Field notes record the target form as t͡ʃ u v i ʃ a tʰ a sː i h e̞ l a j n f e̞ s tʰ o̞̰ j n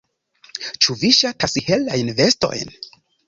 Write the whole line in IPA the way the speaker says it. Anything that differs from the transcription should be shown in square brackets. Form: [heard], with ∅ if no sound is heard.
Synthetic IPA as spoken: t͡ʃ u v i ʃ a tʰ a [s] i h e̞ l a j n [v] e̞ s [t] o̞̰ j n